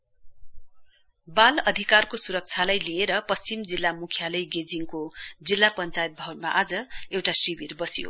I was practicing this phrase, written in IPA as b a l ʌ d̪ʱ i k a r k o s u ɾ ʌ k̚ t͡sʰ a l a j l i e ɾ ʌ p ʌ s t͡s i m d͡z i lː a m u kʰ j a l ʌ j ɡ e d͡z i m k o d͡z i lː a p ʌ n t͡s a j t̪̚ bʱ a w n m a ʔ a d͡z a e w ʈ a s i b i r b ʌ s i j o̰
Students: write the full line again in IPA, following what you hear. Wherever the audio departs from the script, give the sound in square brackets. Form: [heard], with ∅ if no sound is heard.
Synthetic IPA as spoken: b a l ʌ d̪ʱ i k a r k o s u ɾ ʌ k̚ t͡sʰ a l a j l i e ɾ ʌ p ʌ s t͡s i m d͡z i lː a m u kʰ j a l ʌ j ɡ e d͡z i [ŋ] k o d͡z i lː a p ʌ n t͡s a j t̪̚ bʱ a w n m a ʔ a d͡z [ʌ] e w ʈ a s i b i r b ʌ s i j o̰